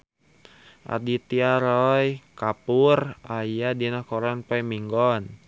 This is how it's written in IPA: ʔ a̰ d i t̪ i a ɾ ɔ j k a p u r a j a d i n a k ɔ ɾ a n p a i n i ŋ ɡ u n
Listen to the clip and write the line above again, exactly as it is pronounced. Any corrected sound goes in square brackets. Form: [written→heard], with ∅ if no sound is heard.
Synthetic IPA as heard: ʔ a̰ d i t̪ i a ɾ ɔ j k a p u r a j a d i n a k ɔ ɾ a n p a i [n→m] i ŋ ɡ [u→ɔ] n